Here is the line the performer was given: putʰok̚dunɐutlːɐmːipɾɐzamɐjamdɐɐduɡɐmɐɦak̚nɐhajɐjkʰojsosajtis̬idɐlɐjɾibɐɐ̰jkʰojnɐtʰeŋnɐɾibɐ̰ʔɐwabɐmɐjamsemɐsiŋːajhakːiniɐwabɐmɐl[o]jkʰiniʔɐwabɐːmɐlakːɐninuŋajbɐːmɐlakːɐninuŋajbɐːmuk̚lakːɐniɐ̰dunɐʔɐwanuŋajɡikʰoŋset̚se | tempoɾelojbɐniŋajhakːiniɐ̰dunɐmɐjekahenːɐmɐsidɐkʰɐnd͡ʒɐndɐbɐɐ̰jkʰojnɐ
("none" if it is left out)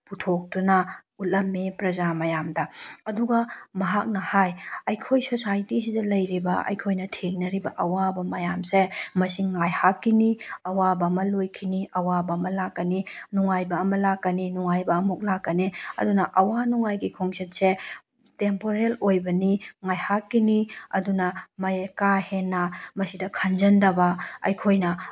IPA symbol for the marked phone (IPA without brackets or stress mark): o